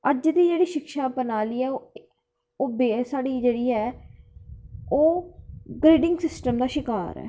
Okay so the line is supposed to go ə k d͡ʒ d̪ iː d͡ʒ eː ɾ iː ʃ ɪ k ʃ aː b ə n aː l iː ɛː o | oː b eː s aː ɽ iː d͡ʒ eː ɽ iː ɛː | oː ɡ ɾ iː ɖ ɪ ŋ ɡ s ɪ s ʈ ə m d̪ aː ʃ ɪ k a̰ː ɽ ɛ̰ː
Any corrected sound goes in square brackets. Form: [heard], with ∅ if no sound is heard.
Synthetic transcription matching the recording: ə [∅] d͡ʒ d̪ iː d͡ʒ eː [ɽ] iː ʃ ɪ k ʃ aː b ə n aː l iː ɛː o | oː b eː s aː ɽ iː d͡ʒ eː ɽ iː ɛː | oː ɡ ɾ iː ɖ ɪ ŋ ɡ s ɪ s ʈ ə m d̪ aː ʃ ɪ k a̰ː [ɾ] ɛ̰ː